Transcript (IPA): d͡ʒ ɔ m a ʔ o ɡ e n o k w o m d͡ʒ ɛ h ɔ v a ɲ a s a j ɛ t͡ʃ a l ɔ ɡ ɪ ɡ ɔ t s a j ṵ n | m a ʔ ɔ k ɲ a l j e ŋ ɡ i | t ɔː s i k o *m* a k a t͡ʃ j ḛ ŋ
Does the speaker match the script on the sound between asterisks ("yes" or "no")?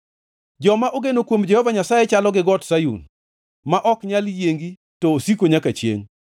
no